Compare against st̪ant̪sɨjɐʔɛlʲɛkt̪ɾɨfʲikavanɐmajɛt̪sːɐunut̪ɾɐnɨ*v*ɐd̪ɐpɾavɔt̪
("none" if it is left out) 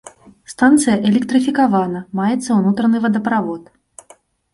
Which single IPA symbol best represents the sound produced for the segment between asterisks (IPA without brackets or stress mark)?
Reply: v